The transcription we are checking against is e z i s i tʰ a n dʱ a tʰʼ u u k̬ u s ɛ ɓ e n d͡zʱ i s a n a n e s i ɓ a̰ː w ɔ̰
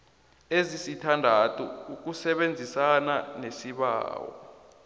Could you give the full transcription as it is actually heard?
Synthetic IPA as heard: e z i s i tʰ a n dʱ a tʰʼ u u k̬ u s ɛ ɓ e n d͡zʱ i s a n a n e s i ɓ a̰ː w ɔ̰